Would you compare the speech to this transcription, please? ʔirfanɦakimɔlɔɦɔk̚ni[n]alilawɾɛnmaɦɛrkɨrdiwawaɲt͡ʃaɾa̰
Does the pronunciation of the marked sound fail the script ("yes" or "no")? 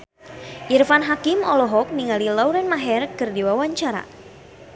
yes